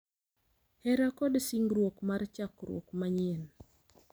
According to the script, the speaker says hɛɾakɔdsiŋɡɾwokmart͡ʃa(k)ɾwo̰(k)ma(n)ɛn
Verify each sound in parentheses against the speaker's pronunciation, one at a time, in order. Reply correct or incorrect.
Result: correct, correct, incorrect

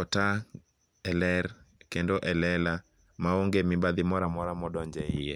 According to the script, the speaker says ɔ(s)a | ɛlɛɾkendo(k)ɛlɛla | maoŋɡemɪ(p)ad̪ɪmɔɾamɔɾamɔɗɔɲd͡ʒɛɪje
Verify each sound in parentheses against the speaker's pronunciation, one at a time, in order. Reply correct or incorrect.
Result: incorrect, incorrect, incorrect

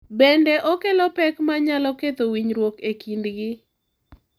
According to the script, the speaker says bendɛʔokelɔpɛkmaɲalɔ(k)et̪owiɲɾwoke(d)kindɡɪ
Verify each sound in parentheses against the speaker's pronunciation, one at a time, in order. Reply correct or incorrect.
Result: correct, incorrect

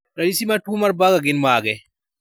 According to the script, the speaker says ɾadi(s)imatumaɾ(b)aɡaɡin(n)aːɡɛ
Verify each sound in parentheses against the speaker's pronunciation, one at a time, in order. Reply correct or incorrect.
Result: correct, correct, incorrect

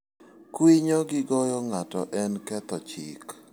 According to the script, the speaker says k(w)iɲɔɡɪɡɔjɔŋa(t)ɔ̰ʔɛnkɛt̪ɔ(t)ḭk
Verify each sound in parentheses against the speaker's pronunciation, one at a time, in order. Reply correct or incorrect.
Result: correct, correct, incorrect

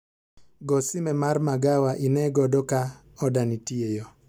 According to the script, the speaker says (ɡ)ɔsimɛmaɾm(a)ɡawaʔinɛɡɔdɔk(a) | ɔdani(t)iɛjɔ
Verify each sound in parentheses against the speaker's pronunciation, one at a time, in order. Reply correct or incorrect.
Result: correct, correct, correct, correct

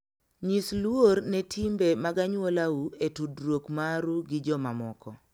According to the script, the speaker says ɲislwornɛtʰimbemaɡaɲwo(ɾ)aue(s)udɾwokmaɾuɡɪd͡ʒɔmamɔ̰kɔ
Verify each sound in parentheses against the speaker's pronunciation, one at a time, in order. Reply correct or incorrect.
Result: incorrect, incorrect

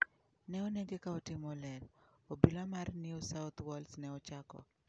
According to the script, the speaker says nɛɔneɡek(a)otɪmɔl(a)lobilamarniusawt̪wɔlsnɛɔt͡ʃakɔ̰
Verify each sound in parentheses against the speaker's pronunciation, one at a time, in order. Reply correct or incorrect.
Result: correct, incorrect

